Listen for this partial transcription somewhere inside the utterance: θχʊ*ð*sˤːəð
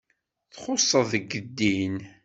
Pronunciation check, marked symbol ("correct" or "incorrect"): incorrect